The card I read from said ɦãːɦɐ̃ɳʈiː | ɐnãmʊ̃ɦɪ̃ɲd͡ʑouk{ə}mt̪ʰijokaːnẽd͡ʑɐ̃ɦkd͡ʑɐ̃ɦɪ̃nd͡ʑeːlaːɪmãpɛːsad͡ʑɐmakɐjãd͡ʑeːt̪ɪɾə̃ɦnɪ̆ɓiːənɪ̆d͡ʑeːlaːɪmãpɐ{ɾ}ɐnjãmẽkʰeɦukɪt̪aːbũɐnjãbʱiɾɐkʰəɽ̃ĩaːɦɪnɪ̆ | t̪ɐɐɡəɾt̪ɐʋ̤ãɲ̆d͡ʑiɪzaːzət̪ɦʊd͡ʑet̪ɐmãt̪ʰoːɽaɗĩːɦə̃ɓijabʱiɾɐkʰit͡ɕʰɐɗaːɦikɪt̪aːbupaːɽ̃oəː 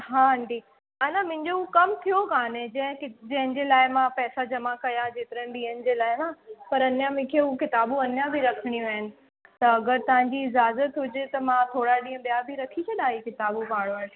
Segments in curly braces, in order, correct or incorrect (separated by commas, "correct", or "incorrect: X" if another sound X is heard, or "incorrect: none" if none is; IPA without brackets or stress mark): incorrect: ɐ, correct